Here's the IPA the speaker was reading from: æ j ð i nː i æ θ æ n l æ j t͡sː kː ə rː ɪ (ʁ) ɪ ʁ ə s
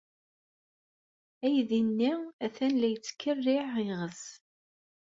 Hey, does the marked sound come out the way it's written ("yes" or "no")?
no